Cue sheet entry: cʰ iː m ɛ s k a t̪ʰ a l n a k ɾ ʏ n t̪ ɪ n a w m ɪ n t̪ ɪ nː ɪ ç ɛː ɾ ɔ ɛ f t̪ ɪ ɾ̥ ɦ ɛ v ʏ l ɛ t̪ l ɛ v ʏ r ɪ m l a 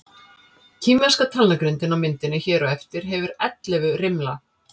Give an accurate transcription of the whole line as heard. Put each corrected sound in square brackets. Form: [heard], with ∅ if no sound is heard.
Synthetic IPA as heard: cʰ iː m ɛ s k a t̪ʰ a l n a k ɾ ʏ n t̪ ɪ n a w m ɪ n t̪ ɪ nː ɪ ç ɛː ɾ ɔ ɛ f t̪ ɪ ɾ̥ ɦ ɛ v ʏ [ɾ] ɛ t̪ l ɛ v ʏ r ɪ m l a

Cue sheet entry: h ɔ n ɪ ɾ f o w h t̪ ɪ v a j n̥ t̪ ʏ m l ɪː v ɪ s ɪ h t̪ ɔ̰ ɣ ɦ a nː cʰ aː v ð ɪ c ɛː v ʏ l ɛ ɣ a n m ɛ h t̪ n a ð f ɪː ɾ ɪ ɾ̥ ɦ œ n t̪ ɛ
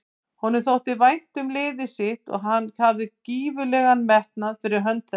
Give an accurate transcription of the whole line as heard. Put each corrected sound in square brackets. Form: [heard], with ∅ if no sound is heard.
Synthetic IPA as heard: h ɔ n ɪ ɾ [θ] o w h t̪ ɪ v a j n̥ t̪ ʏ m l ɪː [ð] ɪ s ɪ h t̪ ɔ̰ ɣ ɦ a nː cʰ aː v ð ɪ c [iː] v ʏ l ɛ ɣ a n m ɛ h t̪ n a ð f [ɪ] ɾ ɪ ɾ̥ ɦ œ n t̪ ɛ

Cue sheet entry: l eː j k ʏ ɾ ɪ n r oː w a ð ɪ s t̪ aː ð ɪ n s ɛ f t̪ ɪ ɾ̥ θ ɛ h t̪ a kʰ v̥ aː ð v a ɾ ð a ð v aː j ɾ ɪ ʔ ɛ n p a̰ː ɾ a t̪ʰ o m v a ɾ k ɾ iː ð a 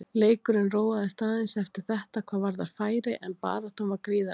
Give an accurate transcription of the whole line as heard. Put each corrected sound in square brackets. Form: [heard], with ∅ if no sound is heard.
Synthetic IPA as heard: l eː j k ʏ ɾ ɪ n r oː w a ð ɪ s t̪ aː ð ɪ n s ɛ f t̪ ɪ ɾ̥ θ ɛ h t̪ a kʰ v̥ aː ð v a ɾ ð a ð [f] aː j ɾ ɪ ʔ ɛ n p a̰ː ɾ a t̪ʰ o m v a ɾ k ɾ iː ð a

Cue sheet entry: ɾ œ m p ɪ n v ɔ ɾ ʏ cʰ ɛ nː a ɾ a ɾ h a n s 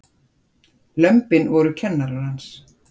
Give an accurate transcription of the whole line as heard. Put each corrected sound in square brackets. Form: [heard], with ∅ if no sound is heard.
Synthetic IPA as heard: [l] œ m p ɪ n v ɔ ɾ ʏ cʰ ɛ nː a ɾ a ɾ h a n s

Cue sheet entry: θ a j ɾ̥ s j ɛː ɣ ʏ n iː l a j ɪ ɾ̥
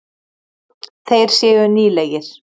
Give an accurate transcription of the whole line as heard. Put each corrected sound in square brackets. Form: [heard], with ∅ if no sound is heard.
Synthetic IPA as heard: θ [e] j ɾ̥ s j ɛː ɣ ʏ n iː l [ɛ] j ɪ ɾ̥

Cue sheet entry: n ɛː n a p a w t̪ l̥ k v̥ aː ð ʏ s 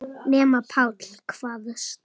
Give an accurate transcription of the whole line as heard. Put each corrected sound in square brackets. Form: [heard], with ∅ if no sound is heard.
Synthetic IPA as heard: n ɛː [m] a [pʰ] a w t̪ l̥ [kʰ] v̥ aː ð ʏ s

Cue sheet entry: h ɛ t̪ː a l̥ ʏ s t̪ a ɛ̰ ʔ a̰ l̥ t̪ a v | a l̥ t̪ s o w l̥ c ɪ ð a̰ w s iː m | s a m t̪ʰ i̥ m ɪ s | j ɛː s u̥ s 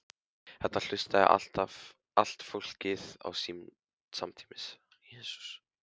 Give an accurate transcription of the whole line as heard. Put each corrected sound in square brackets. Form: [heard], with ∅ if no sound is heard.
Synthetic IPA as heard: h ɛ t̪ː a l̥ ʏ s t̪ a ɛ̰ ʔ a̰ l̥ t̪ a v | a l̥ t̪ [f] o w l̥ c ɪ ð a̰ w s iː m | s a m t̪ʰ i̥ m ɪ s | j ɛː s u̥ s

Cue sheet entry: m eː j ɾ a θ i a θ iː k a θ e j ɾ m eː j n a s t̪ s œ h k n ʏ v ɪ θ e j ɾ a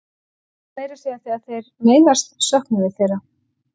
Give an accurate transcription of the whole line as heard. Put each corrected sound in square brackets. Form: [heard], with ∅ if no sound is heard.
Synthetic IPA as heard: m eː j ɾ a [s] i a θ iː [∅] a θ e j ɾ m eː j n a s t̪ s œ h k n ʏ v ɪ θ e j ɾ a

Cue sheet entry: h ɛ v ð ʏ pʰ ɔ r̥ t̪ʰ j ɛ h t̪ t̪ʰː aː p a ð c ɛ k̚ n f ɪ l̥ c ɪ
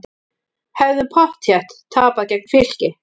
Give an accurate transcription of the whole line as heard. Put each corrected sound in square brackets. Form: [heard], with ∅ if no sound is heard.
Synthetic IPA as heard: h ɛ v ð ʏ pʰ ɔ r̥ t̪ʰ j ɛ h t̪ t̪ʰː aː p a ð c ɛ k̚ n f ɪ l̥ c ɪ

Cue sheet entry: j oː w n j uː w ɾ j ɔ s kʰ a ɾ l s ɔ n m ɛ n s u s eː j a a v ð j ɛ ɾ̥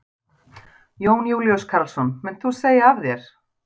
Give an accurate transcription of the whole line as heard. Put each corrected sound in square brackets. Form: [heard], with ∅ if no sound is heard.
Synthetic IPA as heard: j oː w n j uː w [l] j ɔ s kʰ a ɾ l s ɔ n m ɛ n [θ] u s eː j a a v ð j ɛ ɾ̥

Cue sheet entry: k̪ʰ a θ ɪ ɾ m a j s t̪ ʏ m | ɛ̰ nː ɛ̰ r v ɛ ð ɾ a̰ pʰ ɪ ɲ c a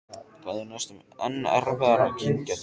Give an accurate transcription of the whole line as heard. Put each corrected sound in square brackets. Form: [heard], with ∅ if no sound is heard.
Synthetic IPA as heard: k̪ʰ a [ð] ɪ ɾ [n] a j s t̪ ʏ m | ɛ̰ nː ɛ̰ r v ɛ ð ɾ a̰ [cʰ] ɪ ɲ c a

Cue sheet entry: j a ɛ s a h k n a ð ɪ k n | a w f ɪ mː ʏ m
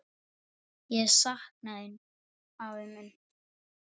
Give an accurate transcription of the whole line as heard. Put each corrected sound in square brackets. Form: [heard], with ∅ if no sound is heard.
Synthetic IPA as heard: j [ɛ] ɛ s a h k n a ð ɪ [∅] n | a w [v] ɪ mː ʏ [n]

